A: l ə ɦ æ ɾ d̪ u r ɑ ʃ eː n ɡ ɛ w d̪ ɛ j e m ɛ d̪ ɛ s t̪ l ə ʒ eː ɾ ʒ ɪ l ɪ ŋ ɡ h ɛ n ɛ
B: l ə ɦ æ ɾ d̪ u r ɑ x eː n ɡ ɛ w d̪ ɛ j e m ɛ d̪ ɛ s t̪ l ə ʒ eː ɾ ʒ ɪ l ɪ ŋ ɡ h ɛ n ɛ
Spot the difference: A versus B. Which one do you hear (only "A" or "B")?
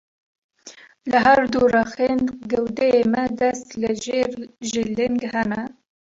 B